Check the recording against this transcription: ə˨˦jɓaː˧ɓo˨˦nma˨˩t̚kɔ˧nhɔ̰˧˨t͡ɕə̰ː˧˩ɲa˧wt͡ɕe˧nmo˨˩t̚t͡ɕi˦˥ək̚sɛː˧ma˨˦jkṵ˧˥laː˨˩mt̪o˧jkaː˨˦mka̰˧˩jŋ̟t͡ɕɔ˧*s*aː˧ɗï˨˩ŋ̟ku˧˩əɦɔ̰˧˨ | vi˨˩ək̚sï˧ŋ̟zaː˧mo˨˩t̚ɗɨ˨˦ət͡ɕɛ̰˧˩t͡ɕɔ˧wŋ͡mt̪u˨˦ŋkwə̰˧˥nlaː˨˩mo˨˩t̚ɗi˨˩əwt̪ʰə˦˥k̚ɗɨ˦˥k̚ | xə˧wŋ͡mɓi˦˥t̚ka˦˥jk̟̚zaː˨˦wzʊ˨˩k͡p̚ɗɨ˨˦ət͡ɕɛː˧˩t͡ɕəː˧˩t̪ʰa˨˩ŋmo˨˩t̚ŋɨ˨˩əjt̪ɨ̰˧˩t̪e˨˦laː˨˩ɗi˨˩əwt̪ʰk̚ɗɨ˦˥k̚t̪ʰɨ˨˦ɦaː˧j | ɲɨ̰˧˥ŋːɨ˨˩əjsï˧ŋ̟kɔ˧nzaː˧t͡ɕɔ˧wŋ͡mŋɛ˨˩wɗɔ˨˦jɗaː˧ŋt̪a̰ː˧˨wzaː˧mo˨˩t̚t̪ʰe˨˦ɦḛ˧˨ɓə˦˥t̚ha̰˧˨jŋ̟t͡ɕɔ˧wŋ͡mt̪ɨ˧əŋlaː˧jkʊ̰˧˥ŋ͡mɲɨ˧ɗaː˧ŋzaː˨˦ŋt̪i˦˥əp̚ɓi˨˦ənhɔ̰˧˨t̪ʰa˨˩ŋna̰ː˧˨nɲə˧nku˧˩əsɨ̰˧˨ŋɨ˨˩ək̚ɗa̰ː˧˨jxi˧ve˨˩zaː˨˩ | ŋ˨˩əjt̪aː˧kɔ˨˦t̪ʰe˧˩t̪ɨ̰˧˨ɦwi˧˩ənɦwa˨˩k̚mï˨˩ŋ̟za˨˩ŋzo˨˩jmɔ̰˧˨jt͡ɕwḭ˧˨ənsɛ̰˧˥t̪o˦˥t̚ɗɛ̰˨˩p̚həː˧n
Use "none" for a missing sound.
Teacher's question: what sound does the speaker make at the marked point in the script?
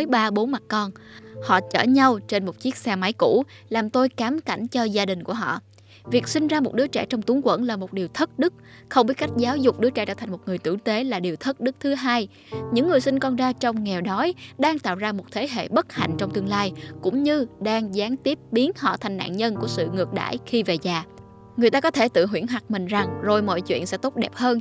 z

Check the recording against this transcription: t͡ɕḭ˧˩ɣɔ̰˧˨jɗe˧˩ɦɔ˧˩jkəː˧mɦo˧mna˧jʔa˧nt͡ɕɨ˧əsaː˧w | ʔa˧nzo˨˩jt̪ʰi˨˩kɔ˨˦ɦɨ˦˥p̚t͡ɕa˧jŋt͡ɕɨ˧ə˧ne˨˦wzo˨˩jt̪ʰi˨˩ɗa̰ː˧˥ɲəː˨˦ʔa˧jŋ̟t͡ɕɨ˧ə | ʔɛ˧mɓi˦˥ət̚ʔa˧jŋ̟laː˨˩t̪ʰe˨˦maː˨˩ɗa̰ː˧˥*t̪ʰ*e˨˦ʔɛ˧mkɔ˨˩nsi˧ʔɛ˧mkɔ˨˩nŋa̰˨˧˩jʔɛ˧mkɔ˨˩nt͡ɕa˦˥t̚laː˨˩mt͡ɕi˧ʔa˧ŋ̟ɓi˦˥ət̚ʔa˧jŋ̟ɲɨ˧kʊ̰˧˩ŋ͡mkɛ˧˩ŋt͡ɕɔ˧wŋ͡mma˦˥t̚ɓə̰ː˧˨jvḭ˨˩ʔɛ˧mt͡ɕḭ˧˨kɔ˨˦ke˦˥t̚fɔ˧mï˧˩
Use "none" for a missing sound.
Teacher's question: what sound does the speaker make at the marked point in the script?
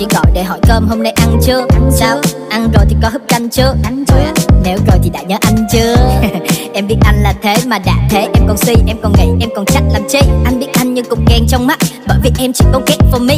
t̪ʰ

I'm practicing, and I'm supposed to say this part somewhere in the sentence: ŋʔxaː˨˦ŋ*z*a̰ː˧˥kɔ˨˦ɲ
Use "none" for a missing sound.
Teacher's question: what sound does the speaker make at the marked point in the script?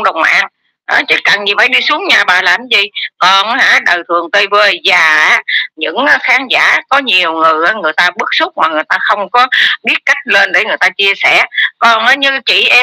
z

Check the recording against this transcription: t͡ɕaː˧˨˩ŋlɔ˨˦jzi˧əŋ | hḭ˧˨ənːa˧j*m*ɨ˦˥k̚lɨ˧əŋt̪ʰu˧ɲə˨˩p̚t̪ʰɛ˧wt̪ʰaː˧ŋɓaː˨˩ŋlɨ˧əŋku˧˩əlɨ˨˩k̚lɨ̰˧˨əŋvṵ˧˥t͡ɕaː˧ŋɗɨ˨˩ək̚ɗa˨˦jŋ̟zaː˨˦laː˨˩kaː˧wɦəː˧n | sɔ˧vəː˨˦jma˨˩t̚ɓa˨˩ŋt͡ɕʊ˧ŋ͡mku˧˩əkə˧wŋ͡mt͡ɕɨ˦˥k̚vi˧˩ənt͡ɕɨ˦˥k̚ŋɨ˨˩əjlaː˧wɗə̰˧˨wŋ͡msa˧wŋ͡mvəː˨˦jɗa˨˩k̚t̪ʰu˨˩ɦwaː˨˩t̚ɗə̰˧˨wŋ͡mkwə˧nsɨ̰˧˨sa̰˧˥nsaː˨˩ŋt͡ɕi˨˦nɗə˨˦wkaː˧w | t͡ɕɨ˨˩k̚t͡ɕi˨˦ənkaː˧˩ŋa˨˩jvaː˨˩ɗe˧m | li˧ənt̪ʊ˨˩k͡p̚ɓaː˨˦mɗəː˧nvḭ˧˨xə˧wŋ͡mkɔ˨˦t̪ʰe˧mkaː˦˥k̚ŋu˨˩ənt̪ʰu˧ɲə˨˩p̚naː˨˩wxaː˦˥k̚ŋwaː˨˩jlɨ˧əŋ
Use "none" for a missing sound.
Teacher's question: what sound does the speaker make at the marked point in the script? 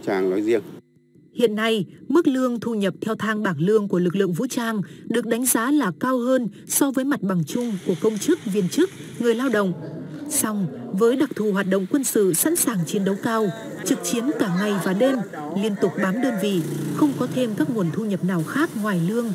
m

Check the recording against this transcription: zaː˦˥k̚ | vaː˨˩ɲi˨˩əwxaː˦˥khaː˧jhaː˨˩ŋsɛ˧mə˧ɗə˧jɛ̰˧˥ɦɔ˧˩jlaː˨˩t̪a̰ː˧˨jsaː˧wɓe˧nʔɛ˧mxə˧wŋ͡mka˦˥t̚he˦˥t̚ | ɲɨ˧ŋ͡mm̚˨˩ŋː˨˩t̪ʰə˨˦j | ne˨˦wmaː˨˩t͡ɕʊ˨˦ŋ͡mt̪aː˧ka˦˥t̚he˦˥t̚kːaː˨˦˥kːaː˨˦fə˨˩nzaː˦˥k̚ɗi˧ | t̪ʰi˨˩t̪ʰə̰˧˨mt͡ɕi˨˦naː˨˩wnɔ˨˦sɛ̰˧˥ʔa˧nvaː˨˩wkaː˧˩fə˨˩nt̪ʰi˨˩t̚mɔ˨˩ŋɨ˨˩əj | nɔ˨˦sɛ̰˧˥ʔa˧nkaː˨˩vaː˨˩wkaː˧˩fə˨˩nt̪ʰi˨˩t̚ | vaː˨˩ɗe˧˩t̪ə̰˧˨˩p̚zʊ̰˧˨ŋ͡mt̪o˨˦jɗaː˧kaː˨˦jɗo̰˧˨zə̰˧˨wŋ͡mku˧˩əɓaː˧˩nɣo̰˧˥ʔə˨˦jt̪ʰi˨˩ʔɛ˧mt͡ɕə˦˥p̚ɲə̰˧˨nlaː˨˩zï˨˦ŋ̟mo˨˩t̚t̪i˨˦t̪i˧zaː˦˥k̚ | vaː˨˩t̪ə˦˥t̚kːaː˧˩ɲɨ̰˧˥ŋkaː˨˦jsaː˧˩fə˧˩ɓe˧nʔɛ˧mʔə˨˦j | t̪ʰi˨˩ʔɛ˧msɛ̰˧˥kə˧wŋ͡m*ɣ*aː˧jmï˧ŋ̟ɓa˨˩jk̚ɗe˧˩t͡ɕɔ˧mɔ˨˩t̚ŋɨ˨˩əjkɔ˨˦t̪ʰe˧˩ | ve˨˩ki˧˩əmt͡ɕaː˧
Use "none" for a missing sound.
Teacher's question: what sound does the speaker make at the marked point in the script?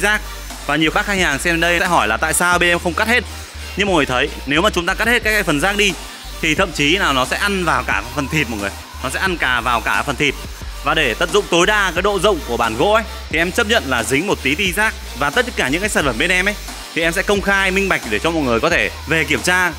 x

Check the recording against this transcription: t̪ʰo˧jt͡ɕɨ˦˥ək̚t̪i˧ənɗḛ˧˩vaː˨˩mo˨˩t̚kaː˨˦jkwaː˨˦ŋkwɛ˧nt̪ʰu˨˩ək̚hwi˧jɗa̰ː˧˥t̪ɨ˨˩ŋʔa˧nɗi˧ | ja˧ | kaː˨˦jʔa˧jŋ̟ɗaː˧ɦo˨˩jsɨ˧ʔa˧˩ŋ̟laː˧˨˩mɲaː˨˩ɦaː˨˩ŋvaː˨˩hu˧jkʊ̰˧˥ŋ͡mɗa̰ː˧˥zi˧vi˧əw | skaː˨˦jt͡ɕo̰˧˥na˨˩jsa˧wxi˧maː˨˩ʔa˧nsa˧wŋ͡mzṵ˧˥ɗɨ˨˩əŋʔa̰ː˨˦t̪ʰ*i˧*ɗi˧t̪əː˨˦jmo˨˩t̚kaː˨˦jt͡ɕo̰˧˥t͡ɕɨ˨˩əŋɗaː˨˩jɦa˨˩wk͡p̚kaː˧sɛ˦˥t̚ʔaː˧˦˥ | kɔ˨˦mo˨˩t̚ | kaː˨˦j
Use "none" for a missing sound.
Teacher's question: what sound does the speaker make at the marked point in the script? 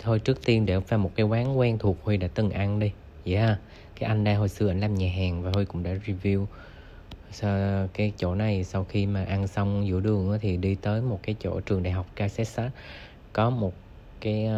i˨˩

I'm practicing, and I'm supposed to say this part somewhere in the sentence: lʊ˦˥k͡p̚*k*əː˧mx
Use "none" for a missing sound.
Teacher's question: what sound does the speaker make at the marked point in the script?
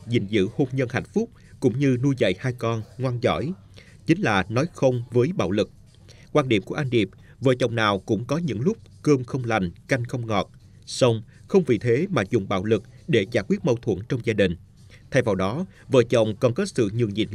k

